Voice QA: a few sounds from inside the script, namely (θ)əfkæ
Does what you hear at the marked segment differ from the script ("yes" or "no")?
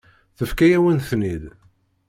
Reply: no